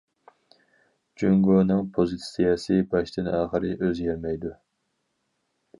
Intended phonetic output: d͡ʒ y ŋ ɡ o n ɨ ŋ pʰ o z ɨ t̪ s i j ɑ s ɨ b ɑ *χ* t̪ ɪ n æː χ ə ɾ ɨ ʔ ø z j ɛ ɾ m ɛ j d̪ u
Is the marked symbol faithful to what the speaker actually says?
no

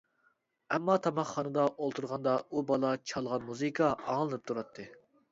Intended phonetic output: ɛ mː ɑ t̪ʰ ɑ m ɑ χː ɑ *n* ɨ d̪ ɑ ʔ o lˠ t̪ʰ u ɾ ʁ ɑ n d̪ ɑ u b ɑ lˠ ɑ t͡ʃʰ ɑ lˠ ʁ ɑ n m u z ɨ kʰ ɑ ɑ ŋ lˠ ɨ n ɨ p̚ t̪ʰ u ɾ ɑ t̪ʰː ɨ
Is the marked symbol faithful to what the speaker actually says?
yes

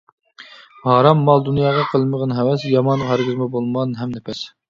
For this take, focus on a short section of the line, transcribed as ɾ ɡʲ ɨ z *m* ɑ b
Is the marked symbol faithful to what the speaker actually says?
yes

